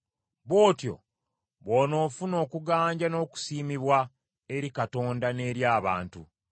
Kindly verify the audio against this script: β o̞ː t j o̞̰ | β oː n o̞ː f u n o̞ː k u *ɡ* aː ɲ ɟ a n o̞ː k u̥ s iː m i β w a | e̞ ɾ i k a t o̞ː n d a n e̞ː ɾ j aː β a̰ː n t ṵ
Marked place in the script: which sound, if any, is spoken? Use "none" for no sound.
ɡ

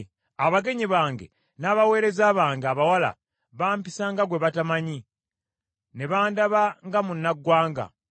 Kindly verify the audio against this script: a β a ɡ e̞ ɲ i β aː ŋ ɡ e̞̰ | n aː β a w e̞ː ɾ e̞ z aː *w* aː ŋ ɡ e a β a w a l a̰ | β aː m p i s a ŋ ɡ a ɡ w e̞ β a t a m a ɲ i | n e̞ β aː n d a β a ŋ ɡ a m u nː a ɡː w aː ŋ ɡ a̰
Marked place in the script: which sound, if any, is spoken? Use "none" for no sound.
β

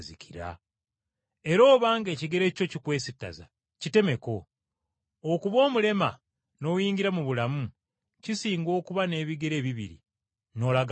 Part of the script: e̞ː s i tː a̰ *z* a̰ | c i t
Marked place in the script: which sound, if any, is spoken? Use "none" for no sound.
z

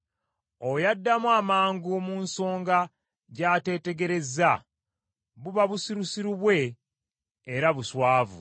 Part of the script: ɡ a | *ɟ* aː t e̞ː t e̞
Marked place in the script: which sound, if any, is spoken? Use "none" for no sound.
ɟ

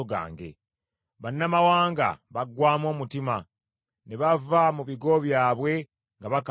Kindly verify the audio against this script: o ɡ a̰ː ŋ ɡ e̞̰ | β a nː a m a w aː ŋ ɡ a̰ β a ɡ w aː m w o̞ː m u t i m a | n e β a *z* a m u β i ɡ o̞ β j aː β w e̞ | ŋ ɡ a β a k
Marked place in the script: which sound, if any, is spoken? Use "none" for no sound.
v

